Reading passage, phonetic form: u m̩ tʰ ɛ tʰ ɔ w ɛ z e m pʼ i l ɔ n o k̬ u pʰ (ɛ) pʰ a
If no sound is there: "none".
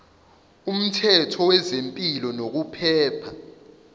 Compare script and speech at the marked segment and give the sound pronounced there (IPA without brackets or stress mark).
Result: ɛː